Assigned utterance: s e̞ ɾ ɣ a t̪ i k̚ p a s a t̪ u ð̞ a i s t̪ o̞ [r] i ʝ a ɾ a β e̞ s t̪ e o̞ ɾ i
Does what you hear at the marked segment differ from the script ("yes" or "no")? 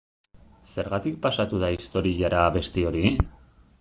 yes